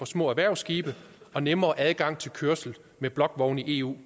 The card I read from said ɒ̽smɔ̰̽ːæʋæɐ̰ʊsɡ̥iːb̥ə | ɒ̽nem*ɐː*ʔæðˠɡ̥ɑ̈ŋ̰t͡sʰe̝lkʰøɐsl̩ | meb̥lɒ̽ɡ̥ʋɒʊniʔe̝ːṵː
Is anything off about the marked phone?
no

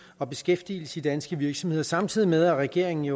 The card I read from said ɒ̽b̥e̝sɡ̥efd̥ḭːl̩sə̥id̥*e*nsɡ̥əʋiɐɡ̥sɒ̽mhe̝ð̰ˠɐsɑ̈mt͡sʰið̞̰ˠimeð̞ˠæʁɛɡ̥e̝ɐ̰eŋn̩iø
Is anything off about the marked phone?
yes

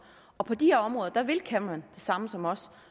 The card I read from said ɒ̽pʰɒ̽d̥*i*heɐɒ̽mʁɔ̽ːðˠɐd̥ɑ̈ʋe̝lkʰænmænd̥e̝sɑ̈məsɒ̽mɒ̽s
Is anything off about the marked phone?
no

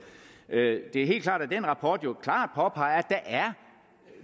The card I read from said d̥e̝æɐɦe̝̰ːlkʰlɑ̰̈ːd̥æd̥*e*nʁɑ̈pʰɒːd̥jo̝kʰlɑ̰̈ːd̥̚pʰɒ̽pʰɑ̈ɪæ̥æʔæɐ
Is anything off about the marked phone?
no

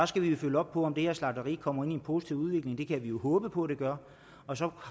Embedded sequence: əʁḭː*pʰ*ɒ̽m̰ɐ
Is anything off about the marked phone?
yes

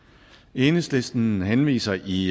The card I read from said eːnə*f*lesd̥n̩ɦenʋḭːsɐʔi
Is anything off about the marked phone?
yes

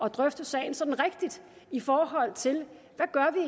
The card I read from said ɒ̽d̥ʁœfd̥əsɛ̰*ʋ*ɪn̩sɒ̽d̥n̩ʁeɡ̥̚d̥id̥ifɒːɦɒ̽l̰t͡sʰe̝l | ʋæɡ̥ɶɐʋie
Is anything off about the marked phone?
yes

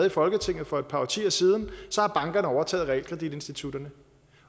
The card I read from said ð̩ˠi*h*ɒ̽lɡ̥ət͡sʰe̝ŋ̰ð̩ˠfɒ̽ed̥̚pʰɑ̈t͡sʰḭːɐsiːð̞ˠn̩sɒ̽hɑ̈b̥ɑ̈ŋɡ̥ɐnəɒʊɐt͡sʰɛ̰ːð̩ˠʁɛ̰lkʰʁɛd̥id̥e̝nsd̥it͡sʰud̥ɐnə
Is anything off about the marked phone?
yes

